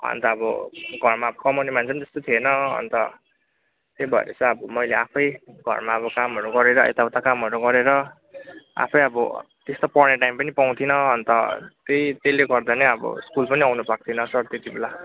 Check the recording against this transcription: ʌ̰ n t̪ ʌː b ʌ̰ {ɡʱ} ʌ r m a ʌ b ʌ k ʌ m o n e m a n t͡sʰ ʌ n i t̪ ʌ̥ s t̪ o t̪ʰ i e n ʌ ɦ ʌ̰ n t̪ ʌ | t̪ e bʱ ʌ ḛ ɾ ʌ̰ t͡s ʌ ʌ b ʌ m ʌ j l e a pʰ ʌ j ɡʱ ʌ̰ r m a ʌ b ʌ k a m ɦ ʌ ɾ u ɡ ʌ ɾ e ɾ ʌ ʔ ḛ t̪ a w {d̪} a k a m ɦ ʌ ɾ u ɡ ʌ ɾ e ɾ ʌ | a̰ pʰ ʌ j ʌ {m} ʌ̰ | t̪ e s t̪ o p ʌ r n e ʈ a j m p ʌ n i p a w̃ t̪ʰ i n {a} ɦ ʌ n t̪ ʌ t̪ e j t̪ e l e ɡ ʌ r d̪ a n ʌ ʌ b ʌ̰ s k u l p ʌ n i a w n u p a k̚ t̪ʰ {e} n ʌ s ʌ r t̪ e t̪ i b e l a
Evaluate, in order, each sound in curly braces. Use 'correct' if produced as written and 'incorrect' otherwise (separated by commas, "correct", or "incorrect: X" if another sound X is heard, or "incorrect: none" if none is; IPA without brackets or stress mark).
correct, incorrect: t̪, incorrect: b, incorrect: ʌ, incorrect: i